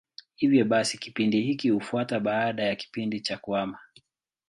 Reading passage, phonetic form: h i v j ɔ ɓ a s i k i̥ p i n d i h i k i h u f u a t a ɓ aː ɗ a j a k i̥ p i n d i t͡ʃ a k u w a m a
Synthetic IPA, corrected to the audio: h i v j ɔ ɓ a s i k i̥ p i n d i h i k i h u f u a t a ɓ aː ɗ a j a k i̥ p i n d i t͡ʃ a k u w a m a